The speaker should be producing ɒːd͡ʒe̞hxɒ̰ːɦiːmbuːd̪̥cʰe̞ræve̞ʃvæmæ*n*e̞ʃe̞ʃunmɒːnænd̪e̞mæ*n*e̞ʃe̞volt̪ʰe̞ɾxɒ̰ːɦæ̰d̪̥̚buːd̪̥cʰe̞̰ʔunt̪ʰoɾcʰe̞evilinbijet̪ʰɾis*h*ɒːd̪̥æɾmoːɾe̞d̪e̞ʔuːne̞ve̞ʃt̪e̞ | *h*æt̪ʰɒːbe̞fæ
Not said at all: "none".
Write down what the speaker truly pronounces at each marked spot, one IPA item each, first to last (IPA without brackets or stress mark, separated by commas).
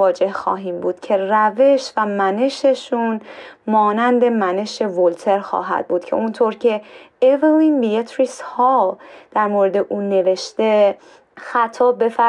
n, n, h, x